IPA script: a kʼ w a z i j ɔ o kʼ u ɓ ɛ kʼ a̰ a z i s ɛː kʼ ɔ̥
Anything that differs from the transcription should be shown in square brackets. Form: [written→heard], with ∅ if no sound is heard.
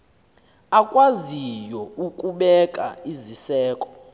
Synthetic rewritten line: a kʼ w a z i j ɔ [o→u] kʼ u ɓ ɛ kʼ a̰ [a→i] z i s ɛː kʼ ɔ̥